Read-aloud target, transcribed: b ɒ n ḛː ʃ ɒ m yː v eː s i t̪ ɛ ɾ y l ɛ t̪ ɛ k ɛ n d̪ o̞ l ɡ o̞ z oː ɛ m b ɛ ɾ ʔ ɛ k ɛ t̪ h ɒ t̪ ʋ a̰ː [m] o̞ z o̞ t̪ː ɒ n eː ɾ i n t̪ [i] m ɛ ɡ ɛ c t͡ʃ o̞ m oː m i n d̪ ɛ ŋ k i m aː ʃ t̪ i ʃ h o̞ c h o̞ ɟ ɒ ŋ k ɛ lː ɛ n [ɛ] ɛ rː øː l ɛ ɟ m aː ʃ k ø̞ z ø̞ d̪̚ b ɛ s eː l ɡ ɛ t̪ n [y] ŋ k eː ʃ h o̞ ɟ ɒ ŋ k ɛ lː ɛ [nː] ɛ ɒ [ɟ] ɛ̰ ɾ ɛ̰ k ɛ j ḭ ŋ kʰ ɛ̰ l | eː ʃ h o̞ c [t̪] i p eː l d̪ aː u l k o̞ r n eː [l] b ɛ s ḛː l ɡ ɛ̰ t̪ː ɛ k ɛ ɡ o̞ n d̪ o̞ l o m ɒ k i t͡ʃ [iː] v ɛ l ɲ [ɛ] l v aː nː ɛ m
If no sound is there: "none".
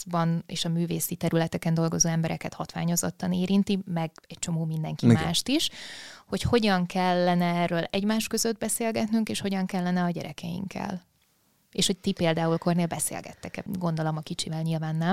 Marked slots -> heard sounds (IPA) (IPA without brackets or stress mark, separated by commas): ɲ, i, ɛ, y, n, ɟ, t̪, l, i, i